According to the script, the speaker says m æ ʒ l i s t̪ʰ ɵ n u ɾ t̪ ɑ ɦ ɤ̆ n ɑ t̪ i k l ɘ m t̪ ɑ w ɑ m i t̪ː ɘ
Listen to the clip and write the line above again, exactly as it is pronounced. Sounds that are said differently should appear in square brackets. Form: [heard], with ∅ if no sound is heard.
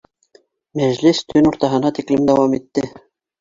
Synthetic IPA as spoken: m æ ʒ l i s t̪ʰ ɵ n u ɾ t̪ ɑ ɦ ɤ̆ n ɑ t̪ i k l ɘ m [d̪] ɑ w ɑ m i t̪ː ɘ

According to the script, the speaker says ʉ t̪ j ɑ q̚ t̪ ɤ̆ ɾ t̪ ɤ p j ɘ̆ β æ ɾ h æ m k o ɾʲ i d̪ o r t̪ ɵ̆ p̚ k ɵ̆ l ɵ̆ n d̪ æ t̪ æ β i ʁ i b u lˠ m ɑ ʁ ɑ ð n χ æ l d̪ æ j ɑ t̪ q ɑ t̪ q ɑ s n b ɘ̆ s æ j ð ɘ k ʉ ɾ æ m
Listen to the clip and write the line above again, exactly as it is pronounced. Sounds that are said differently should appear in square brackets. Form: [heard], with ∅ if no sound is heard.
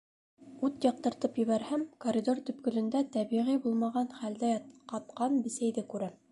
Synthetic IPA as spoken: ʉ t̪ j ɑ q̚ t̪ ɤ̆ ɾ t̪ ɤ p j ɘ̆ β æ ɾ h æ m k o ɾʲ i d̪ o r t̪ ɵ̆ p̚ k ɵ̆ l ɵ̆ n d̪ æ t̪ æ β i ʁ i b u lˠ m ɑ ʁ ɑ [∅] n χ æ l d̪ æ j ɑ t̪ q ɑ t̪ q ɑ [∅] n b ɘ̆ s æ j ð ɘ k ʉ ɾ æ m

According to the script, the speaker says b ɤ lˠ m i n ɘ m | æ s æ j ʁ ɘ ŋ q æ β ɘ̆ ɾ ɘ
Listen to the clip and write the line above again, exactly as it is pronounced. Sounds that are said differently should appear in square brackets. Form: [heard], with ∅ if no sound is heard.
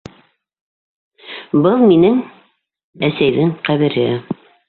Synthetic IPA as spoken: b ɤ lˠ m i n ɘ [ŋ] | æ s æ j [ð] ɘ ŋ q æ β ɘ̆ ɾ ɘ

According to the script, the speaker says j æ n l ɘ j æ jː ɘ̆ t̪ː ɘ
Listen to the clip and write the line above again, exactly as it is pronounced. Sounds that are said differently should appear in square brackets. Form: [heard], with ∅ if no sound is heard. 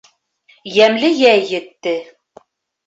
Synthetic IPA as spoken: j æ [m] l ɘ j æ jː ɘ̆ t̪ː ɘ

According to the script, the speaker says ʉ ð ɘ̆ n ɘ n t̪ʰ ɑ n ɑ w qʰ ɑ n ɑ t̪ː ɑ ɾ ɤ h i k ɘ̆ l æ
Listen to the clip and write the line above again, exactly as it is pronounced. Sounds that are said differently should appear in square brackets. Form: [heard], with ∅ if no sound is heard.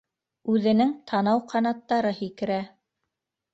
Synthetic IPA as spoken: ʉ ð ɘ̆ n ɘ [ŋ] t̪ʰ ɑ n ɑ w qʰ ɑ n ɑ t̪ː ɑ ɾ ɤ h i k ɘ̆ [ɾ] æ

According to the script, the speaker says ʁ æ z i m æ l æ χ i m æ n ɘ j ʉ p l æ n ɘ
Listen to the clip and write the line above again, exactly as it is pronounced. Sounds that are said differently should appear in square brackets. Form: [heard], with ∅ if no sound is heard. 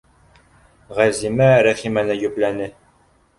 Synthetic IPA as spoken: ʁ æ z i m æ [ɾ] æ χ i m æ n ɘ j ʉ p l æ n ɘ

